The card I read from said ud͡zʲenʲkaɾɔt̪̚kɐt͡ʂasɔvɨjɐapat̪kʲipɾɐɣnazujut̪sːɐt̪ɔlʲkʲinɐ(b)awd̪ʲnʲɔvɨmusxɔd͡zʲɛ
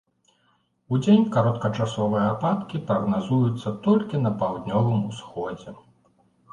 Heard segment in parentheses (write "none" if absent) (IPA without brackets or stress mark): p